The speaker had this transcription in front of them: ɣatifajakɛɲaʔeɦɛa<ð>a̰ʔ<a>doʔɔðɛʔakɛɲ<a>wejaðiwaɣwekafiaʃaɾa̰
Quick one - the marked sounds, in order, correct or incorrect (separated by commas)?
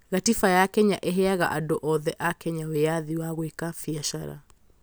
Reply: incorrect, correct, correct